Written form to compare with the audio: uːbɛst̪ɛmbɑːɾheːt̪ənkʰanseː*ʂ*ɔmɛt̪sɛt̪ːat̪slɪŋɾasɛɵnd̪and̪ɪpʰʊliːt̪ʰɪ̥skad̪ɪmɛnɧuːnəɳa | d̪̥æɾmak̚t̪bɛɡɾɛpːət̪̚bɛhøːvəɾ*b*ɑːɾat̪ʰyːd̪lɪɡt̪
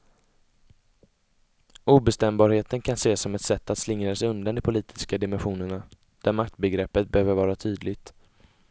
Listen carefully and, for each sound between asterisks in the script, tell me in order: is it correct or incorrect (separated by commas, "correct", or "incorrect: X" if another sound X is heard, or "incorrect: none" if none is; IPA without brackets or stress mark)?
incorrect: s, incorrect: v